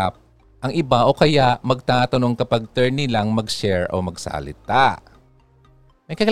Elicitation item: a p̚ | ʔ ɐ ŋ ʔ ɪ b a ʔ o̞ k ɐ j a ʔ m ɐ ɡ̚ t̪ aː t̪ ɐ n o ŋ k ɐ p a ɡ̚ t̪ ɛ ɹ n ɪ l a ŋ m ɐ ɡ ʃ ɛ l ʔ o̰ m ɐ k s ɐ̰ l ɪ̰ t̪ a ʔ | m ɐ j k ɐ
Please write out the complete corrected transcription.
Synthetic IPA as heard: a p̚ | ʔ ɐ ŋ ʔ ɪ b a ʔ o̞ k ɐ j a ʔ m ɐ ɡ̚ t̪ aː t̪ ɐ n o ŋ k ɐ p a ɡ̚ t̪ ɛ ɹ n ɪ l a ŋ m ɐ ɡ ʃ ɛ ɹ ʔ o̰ m ɐ ɡ s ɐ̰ l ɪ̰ t̪ a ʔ | m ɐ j k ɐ